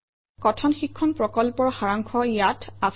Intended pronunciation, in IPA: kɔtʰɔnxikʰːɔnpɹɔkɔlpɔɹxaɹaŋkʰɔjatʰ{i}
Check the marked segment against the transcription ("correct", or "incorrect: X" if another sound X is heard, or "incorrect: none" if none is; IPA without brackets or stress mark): incorrect: a